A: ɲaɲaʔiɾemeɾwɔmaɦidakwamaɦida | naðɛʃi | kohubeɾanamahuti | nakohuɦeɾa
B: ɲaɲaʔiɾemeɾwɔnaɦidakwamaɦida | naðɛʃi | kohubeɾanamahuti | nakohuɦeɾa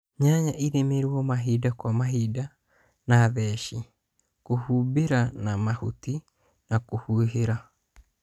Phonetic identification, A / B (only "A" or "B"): A